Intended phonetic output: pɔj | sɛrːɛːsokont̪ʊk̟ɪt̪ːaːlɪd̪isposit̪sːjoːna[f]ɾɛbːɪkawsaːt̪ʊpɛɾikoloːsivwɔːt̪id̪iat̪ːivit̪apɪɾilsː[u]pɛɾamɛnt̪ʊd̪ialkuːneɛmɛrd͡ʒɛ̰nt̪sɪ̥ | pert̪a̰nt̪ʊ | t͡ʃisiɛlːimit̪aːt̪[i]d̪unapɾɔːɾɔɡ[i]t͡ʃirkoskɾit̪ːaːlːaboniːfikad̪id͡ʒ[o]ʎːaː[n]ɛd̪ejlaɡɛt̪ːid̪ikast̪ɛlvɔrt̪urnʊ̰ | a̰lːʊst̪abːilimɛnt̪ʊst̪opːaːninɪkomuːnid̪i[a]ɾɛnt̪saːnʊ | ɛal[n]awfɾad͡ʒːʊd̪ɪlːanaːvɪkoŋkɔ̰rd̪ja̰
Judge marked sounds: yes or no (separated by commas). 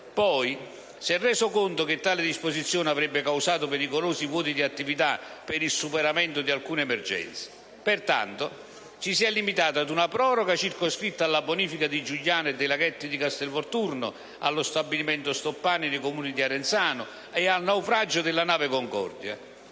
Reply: no, yes, no, no, no, yes, yes, yes